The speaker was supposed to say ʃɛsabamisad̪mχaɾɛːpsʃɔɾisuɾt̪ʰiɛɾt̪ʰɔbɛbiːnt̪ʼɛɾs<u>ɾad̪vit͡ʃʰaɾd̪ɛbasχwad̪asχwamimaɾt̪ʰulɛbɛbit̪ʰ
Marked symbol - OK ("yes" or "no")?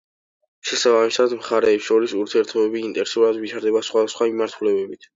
yes